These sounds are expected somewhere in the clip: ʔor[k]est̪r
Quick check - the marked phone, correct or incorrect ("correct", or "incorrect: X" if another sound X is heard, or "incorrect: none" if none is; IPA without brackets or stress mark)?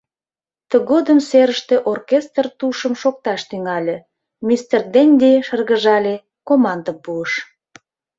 correct